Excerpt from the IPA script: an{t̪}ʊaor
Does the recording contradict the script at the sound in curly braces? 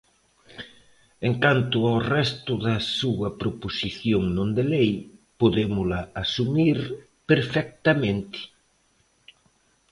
no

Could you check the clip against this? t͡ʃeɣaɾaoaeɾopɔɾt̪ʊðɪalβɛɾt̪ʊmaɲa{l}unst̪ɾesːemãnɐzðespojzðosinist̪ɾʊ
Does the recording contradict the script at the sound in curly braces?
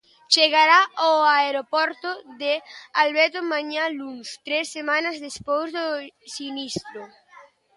no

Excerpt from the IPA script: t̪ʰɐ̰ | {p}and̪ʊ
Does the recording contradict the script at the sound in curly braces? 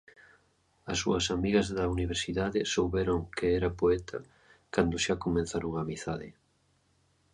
yes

